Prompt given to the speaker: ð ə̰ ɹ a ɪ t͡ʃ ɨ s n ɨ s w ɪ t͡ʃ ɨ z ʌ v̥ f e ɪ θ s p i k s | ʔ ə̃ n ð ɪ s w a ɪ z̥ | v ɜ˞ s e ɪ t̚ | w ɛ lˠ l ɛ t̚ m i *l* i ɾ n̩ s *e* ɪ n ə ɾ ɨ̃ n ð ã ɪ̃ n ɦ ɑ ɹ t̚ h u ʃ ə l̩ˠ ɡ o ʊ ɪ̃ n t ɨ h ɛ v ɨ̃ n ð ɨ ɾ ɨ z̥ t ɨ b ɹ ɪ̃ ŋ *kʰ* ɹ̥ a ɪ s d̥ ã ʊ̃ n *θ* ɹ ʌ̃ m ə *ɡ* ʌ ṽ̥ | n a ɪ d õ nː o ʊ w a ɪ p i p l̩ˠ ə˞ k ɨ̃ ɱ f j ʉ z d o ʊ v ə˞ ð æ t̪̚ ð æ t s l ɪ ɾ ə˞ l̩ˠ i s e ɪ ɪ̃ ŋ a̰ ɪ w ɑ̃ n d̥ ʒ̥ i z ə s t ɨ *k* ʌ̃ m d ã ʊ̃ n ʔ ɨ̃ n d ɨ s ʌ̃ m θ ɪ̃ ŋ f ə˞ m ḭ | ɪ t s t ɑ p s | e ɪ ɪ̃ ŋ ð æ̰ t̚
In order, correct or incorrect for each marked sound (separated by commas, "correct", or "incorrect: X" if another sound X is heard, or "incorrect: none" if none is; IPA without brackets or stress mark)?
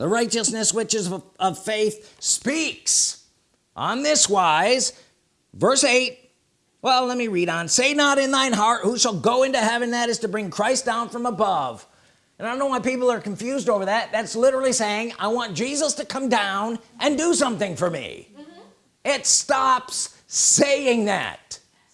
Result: incorrect: ɹ, correct, correct, incorrect: f, incorrect: b, incorrect: kʰ